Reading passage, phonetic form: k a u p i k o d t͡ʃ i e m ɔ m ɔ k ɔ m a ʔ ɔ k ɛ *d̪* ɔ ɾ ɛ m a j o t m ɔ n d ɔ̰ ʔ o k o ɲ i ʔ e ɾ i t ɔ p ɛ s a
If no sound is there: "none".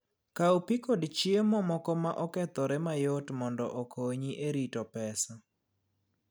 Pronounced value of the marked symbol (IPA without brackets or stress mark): t̪